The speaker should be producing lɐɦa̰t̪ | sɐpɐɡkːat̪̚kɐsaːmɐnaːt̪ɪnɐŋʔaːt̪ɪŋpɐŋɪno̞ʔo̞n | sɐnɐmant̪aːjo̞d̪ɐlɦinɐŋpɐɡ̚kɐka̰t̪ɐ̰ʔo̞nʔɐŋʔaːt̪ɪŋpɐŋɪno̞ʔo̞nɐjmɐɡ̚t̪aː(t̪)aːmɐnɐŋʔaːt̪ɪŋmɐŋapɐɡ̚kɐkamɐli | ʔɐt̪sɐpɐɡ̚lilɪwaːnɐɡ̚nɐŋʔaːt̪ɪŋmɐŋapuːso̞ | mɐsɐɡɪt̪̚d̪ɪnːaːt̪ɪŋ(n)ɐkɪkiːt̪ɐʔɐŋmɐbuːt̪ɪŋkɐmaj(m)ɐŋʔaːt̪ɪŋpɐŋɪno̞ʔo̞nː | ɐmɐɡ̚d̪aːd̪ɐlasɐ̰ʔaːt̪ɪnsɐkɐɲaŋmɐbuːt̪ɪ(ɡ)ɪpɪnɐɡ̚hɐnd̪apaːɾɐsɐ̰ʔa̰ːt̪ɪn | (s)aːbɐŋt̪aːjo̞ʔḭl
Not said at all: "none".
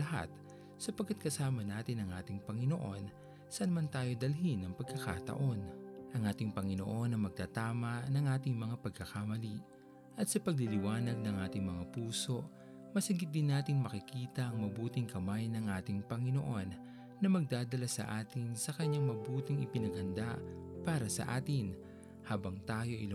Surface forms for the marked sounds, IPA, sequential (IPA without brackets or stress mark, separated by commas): t̪, m, n, ŋ, h